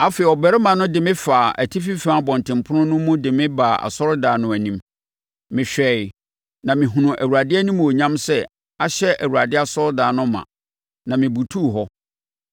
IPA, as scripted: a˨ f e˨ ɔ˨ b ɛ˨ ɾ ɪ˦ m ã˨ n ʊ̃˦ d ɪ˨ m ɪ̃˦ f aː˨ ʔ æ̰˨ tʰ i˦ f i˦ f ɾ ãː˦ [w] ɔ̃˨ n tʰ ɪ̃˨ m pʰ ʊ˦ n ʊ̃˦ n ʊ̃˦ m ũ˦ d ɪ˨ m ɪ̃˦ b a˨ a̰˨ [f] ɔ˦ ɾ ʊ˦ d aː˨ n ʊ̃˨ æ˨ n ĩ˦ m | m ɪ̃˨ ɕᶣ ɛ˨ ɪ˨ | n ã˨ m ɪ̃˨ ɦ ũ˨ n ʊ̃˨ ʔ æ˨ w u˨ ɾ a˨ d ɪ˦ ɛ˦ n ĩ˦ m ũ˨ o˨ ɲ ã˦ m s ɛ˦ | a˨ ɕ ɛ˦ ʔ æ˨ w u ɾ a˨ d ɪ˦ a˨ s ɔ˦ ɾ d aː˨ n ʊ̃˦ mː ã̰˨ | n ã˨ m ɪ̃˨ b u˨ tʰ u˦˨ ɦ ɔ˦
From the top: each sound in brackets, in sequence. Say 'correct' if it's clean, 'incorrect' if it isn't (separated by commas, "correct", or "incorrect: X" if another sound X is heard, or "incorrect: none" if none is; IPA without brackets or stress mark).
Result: incorrect: b, incorrect: s